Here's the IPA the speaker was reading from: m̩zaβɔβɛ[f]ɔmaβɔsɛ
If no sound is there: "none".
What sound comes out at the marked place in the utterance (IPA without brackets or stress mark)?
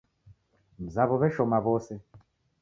ʃ